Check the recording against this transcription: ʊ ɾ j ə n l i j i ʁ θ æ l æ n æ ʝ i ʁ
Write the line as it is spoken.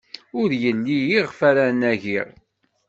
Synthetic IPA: ʊ ɾ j ə n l i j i ʁ f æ ɾ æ n æ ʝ i ʁ